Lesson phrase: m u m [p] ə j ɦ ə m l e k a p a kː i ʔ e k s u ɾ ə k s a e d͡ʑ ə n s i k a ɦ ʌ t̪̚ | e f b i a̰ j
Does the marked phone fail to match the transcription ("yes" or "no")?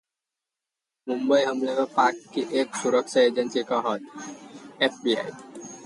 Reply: yes